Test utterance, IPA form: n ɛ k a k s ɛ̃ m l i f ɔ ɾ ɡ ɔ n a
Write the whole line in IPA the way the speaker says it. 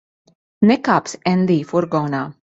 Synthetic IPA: n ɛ k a p s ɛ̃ n l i f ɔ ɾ ɡ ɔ n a